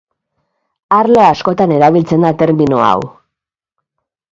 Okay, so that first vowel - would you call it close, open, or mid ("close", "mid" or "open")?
open